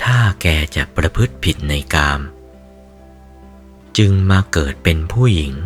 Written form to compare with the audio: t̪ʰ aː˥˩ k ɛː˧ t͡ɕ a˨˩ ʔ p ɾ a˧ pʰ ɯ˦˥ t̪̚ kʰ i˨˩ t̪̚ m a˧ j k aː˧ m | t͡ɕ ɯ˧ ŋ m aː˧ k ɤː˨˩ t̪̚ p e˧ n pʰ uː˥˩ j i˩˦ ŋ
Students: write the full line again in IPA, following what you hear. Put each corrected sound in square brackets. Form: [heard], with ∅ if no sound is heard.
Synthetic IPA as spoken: t̪ʰ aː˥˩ k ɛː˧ t͡ɕ a˨˩ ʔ p ɾ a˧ pʰ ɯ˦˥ t̪̚ [pʰ] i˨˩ t̪̚ [n] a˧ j k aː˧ m | t͡ɕ ɯ˧ ŋ m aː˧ k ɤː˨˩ t̪̚ p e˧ n pʰ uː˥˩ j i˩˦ ŋ